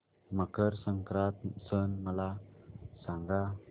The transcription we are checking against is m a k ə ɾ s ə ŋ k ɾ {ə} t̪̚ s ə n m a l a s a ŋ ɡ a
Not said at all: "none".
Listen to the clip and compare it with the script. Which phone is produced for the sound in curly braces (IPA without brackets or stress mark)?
a